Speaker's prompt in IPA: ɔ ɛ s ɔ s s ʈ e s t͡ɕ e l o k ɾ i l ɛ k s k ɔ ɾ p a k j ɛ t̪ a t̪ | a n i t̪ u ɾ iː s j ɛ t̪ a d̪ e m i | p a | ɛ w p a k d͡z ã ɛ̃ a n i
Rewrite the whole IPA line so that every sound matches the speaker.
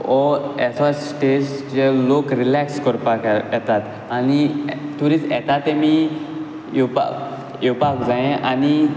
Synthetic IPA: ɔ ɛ s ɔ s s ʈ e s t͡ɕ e l o k ɾ i l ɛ k s k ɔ ɾ p a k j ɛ t̪ a t̪ | a n i t̪ u ɾ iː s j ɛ t̪ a t̪ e m i | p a | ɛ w p a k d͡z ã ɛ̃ a n i